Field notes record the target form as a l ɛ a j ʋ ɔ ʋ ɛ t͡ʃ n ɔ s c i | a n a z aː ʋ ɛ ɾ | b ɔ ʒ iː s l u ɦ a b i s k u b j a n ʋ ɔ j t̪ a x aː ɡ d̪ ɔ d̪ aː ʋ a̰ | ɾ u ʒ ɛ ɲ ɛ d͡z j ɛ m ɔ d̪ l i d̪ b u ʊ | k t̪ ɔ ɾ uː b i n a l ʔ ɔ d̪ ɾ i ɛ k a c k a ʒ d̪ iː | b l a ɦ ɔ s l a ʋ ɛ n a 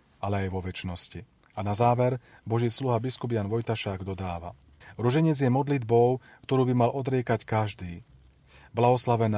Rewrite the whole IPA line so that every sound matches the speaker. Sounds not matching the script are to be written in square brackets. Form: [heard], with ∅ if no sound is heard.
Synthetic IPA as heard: a l ɛ a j ʋ ɔ ʋ ɛ t͡ʃ n ɔ s c i | a n a z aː ʋ ɛ ɾ | b ɔ ʒ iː s l u ɦ a b i s k u b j a n ʋ ɔ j t̪ a [ʃ] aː ɡ d̪ ɔ d̪ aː ʋ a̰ | ɾ u ʒ ɛ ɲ ɛ d͡z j ɛ m ɔ d̪ l i d̪ b [ɔ] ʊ | k t̪ ɔ ɾ uː b i [m] a l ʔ ɔ d̪ ɾ [ɪ] ɛ k a c k a ʒ d̪ iː | b l a ɦ ɔ s l a ʋ ɛ n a